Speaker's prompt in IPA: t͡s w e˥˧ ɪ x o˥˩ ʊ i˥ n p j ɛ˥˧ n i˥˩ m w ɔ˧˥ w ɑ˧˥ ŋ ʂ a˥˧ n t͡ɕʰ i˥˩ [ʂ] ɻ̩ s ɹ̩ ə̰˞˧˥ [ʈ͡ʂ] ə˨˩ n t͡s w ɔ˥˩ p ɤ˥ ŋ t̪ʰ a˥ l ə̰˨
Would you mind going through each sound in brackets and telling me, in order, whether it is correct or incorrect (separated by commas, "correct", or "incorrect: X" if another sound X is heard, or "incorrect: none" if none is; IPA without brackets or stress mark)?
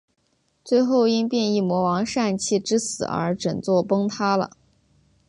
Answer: incorrect: ʈ͡ʂ, correct